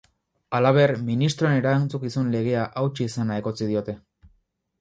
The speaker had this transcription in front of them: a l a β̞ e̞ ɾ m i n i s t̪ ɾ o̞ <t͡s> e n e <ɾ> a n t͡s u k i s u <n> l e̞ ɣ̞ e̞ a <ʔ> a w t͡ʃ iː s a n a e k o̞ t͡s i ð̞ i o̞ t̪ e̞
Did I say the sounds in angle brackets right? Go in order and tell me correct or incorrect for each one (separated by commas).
incorrect, correct, correct, correct